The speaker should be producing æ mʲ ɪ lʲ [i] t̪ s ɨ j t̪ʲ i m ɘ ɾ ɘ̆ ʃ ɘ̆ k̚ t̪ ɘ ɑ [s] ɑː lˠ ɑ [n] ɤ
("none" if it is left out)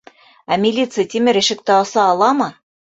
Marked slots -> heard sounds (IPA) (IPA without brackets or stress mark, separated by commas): i, s, m